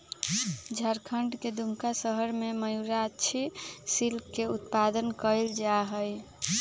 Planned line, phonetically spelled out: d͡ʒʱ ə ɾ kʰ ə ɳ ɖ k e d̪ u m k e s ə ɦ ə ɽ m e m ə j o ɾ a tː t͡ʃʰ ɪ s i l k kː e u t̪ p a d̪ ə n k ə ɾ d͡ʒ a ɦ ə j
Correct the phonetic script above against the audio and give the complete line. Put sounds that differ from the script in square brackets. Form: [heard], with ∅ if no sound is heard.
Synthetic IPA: d͡ʒʱ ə ɾ kʰ ə ɳ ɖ k e d̪ u m k [a] s ə ɦ ə [ɾ] m e m ə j [u] ɾ a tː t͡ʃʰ [i] s i l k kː e u t̪ p a d̪ ə n k ə [l] d͡ʒ a ɦ ə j